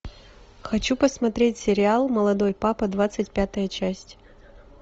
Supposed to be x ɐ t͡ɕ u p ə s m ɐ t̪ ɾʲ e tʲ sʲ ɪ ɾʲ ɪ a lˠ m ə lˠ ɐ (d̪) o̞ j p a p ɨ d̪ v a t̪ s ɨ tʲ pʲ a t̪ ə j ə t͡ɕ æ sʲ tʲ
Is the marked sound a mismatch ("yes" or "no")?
no